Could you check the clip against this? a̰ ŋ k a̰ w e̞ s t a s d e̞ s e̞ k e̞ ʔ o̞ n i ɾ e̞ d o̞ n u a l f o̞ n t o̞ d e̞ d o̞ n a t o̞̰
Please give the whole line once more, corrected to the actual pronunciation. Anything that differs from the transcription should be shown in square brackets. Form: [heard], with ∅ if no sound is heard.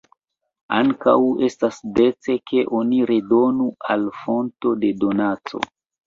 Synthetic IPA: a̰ ŋ k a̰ w e̞ s t a s d e̞ [t͡s] e̞ k e̞ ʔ o̞ n i ɾ e̞ d o̞ n u a l f o̞ n t o̞ d e̞ d o̞ n a [t͡s] o̞̰